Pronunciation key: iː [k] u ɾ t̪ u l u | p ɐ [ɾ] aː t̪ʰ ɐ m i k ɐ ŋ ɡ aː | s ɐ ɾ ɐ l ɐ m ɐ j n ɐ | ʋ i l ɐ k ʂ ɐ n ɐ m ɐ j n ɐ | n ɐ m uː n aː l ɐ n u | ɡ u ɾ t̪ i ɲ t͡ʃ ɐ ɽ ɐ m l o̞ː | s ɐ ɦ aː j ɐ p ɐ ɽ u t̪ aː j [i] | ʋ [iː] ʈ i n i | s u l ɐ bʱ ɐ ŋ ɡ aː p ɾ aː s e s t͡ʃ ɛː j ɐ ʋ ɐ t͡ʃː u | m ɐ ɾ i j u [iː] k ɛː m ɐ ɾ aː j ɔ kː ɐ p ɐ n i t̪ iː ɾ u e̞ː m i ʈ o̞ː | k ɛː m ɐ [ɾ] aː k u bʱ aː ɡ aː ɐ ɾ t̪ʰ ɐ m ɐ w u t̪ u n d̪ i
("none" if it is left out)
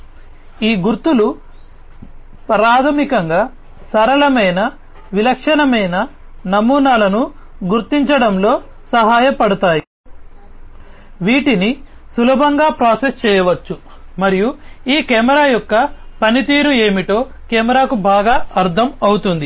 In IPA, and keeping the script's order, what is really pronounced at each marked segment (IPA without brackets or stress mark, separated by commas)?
ɡ, ɾ, i, iː, iː, ɾ